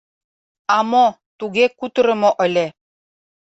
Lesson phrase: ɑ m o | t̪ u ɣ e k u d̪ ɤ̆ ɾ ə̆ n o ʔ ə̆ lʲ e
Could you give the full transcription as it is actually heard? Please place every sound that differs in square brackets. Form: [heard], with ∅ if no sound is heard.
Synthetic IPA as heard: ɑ m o | t̪ u ɣ e k u [t̪] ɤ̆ ɾ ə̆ [m] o ʔ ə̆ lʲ e